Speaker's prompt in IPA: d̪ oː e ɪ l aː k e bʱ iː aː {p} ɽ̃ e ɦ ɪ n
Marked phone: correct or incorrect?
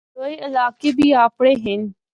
correct